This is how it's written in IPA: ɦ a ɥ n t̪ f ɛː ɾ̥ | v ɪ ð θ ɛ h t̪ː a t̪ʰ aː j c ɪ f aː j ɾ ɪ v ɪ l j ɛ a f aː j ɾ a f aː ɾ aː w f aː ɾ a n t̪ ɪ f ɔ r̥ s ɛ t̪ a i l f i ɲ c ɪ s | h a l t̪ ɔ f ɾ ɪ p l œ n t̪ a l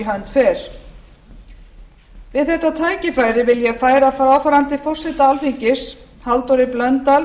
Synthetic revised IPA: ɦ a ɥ n t̪ f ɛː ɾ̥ | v ɪ ð θ ɛ h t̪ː a t̪ʰ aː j c ɪ f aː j ɾ ɪ v ɪ l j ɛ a f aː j ɾ a f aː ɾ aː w f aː ɾ a n t̪ ɪ f ɔ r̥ s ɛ t̪ a a l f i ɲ c ɪ s | h a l t̪ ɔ ɾ ɪ p l œ n t̪ a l